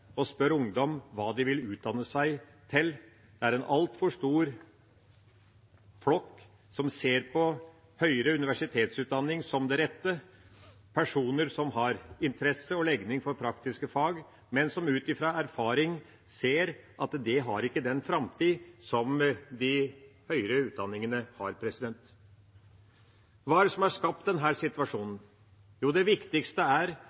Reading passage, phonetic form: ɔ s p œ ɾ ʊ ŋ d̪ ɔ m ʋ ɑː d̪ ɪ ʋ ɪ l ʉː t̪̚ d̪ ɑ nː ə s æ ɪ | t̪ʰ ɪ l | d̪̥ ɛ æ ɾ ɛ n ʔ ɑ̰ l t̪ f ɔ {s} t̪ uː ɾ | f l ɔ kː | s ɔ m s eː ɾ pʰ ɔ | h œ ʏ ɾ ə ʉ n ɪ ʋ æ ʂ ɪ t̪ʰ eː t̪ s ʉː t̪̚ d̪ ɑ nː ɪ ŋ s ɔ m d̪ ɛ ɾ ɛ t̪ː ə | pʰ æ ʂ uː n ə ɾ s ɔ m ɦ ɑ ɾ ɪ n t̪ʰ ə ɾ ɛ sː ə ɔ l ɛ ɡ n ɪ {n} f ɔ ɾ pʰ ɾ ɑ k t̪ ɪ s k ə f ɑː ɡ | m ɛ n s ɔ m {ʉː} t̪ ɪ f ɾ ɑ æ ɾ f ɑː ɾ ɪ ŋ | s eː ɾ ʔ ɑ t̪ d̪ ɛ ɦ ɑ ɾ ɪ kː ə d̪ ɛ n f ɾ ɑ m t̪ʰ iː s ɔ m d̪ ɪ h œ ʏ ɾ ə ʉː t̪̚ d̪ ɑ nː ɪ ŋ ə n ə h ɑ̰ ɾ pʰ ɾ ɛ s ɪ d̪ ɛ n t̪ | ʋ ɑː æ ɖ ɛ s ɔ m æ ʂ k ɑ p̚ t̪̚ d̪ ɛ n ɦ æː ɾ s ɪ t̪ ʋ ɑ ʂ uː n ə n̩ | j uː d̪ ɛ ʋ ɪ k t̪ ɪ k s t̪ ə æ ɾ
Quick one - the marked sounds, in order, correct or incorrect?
incorrect, incorrect, correct

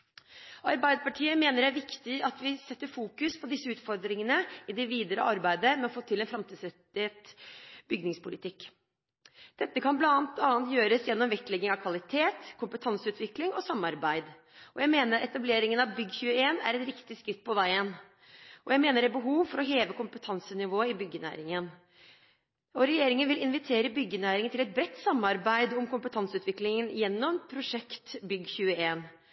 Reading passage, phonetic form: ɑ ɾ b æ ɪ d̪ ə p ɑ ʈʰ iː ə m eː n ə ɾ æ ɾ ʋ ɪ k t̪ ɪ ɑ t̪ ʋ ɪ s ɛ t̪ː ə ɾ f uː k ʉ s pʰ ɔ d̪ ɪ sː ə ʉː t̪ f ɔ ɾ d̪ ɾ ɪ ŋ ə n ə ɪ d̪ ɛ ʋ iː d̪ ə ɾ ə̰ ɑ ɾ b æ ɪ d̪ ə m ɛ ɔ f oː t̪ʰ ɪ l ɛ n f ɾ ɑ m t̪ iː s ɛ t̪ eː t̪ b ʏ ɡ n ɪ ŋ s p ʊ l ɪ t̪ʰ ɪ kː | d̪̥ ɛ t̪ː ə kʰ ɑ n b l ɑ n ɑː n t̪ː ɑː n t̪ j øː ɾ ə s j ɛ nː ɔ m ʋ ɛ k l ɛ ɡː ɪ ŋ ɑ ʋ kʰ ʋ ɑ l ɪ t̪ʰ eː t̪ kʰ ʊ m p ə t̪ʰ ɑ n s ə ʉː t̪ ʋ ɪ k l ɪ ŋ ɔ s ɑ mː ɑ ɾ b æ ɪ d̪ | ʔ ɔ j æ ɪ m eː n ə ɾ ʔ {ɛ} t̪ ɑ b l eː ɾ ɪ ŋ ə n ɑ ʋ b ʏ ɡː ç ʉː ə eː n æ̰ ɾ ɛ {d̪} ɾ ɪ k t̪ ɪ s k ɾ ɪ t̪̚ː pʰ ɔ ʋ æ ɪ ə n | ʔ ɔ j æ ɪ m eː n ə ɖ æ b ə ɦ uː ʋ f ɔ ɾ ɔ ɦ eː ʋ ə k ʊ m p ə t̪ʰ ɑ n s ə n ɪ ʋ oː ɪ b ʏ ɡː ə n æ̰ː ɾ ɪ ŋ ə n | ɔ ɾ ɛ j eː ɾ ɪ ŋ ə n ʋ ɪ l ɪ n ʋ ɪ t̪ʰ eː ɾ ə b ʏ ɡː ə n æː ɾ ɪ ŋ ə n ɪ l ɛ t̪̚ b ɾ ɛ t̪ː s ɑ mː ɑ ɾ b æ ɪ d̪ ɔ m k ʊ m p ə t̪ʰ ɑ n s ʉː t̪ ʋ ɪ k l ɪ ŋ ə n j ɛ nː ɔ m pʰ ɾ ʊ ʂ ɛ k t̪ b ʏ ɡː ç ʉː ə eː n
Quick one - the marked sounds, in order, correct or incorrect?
correct, incorrect

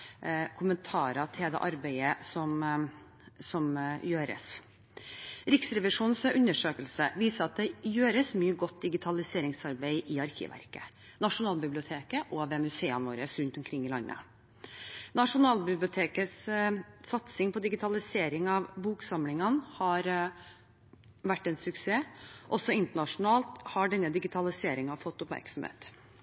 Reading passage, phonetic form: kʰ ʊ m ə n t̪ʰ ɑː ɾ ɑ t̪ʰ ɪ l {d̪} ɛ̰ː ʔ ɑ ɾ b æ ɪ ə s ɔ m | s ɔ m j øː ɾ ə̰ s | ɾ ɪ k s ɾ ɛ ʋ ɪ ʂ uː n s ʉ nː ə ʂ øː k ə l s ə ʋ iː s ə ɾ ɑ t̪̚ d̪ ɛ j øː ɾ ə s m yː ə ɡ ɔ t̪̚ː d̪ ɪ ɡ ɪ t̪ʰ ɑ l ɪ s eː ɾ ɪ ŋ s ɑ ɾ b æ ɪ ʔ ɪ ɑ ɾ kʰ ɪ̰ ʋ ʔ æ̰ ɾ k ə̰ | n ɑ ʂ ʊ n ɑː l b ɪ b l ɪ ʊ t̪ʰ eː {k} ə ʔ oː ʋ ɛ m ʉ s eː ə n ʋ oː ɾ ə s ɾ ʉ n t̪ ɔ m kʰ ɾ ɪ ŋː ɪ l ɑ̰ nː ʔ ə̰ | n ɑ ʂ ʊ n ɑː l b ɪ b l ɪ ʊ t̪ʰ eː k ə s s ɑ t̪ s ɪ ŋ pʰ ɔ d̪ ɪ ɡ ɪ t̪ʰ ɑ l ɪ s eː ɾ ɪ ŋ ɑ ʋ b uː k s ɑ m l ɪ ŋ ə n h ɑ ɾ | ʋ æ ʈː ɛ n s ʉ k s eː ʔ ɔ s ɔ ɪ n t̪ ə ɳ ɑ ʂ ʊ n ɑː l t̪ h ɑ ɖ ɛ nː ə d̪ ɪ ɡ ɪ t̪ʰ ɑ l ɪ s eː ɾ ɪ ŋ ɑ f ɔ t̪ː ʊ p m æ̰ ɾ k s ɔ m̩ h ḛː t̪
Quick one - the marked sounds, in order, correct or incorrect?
correct, correct

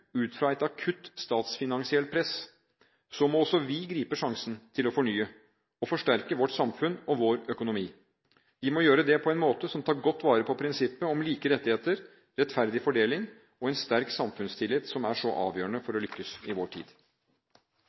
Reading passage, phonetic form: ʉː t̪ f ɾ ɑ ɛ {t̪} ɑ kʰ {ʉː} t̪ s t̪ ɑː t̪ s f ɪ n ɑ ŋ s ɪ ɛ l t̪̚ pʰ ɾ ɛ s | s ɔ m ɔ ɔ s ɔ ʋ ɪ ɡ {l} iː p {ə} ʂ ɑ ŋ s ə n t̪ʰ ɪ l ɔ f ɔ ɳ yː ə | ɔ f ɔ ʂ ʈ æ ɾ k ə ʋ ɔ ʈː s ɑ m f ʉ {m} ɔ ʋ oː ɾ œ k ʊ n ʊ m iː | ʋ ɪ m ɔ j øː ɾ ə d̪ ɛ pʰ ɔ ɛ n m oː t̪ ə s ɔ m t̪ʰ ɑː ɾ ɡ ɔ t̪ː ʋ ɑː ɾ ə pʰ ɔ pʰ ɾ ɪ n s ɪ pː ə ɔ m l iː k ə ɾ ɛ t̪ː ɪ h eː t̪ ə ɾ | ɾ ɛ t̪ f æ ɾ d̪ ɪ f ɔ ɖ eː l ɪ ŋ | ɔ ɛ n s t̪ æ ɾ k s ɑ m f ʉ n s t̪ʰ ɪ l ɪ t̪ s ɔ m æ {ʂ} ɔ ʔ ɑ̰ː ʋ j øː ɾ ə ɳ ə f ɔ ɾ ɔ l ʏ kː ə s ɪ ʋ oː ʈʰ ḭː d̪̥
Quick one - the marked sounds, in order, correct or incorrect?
correct, incorrect, incorrect, correct, incorrect, correct

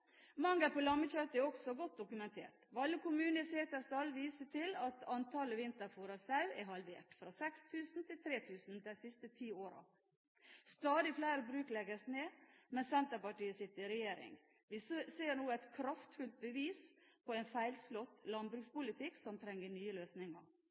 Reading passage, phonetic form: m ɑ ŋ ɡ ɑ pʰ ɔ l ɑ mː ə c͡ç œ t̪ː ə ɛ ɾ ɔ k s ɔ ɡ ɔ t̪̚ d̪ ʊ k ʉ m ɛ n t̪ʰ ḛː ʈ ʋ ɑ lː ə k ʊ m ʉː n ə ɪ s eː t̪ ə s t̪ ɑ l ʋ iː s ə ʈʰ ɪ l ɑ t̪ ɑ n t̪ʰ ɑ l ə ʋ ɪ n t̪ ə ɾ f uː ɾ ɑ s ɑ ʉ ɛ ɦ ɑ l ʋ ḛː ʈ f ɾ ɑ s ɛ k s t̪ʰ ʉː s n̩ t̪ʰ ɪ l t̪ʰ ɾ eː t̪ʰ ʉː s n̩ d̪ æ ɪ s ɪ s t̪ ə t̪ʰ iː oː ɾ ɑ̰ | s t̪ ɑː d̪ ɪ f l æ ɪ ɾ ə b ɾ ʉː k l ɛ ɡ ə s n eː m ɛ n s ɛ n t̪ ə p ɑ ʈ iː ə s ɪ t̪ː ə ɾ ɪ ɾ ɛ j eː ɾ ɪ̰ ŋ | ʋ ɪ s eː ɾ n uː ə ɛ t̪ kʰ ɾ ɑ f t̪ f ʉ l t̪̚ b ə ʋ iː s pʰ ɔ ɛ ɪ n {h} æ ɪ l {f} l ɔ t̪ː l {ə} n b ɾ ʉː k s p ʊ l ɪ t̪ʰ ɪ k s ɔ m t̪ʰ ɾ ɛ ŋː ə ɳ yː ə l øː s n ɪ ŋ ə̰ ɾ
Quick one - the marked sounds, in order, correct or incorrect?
incorrect, incorrect, incorrect

